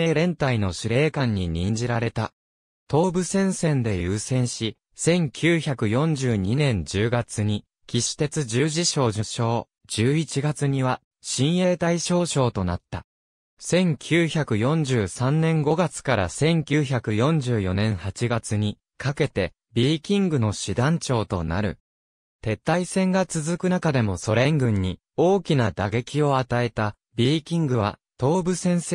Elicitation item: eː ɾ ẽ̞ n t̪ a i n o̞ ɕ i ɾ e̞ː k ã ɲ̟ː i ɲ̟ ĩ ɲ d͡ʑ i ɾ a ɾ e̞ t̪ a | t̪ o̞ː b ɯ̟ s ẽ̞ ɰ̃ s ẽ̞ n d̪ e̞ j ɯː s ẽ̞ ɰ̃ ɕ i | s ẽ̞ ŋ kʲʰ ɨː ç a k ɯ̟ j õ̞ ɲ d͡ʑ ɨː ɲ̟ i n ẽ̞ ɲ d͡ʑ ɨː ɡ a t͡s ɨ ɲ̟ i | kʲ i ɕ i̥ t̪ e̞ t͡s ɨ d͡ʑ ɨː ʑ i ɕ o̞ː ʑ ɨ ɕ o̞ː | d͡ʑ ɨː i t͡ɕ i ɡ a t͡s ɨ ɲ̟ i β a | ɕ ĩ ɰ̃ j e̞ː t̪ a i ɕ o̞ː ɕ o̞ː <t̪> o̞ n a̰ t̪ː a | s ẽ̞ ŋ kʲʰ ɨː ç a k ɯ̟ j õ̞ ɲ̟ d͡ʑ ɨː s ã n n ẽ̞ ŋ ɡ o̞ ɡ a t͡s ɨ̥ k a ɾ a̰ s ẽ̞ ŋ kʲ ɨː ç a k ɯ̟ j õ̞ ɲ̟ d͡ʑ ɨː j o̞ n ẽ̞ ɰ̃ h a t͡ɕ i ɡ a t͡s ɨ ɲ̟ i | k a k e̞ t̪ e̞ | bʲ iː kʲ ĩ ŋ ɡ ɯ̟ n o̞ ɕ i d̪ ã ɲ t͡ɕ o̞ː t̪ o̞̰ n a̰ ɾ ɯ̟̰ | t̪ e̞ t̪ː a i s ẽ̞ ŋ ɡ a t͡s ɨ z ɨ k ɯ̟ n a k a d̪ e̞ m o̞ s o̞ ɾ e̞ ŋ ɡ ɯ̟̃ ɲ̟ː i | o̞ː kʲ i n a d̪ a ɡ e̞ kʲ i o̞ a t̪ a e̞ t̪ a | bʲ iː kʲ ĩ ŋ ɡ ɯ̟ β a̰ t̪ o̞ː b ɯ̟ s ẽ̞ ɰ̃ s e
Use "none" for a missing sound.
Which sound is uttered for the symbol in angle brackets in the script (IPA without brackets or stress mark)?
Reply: t̪